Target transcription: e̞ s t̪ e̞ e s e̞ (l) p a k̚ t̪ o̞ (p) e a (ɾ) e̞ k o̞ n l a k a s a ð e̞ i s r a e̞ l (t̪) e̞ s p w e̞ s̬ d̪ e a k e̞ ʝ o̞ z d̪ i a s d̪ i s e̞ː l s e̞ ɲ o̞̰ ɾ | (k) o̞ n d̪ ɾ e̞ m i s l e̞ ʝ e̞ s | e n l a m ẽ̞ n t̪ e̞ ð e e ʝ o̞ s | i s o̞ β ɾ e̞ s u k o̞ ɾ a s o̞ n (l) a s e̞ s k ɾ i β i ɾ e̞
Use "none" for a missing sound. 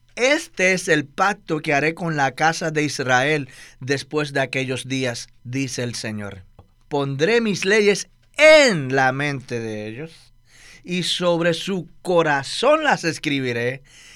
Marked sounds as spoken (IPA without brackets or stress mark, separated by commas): l, k, ɾ, d̪, p, l